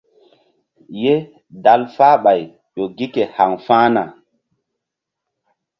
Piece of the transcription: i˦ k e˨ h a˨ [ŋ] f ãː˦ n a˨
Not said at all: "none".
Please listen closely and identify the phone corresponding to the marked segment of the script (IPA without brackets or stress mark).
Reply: ŋ